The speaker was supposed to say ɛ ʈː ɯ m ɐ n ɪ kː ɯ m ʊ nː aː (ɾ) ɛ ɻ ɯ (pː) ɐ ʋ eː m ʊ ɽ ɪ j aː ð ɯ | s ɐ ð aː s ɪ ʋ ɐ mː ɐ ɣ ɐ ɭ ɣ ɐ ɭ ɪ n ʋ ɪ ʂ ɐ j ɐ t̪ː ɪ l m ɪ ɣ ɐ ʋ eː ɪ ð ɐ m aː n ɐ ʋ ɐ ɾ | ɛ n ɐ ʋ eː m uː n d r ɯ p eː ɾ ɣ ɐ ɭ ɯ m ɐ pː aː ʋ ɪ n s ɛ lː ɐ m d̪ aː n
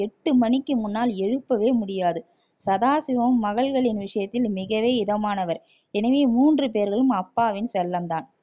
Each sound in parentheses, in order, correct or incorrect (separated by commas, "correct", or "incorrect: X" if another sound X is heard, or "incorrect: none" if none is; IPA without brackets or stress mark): incorrect: l, correct